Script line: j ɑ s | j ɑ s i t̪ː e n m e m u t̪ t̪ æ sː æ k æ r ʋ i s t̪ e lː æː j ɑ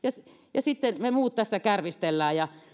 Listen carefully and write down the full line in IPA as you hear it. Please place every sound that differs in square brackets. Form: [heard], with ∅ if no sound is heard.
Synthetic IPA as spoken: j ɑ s | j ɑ s i t̪ː e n m e m [uː] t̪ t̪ æ sː æ k æ r ʋ i s t̪ e lː æː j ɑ